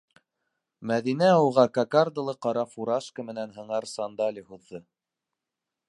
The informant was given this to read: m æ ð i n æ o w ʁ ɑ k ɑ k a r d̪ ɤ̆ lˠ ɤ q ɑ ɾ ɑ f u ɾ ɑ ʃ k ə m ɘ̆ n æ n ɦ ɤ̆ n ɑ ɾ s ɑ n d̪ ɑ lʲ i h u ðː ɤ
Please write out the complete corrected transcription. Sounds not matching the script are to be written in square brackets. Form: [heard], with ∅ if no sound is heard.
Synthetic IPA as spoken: m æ ð i n æ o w ʁ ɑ k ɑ k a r d̪ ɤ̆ lˠ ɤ q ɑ ɾ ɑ f u ɾ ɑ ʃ k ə m ɘ̆ n æ n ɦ ɤ̆ [ɴ] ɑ ɾ s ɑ n d̪ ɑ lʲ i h u ðː ɤ